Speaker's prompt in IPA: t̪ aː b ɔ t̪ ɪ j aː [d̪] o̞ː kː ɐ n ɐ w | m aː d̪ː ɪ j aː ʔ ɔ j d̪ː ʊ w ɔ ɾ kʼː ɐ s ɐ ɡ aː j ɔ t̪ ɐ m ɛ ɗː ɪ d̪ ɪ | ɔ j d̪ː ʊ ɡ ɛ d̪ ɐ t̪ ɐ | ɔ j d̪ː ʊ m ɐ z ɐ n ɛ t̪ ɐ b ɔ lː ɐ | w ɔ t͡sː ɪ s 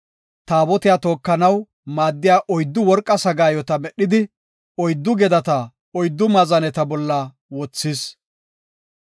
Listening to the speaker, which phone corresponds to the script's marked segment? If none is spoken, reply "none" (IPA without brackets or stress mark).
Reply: t̪